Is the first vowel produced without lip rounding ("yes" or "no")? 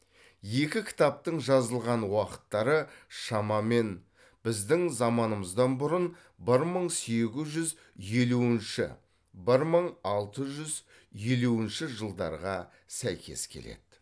yes